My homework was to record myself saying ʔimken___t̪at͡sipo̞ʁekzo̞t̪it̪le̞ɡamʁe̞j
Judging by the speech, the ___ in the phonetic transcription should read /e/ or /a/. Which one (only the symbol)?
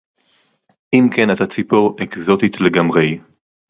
a